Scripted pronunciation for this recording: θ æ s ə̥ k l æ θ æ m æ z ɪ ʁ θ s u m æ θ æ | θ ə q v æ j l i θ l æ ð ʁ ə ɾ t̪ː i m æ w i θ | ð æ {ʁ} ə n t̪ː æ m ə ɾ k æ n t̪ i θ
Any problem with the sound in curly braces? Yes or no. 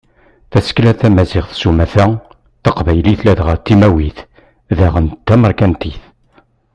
no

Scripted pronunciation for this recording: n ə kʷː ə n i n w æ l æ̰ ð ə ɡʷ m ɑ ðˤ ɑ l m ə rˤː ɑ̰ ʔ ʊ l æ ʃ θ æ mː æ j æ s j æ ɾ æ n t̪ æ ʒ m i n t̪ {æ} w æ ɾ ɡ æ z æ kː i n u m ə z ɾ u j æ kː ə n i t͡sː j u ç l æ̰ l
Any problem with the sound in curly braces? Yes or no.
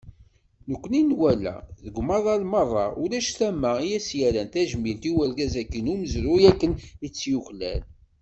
yes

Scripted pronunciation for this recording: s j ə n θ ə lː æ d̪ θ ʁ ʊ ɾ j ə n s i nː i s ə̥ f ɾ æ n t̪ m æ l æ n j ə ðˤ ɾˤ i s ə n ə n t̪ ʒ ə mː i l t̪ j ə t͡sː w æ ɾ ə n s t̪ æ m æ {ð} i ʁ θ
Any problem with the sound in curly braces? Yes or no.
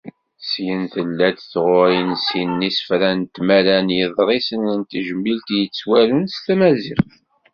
yes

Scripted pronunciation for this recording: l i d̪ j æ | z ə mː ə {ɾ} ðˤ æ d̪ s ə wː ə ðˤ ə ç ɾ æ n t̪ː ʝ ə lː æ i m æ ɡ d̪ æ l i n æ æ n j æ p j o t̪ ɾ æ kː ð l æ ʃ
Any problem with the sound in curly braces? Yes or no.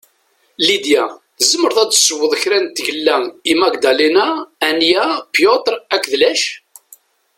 no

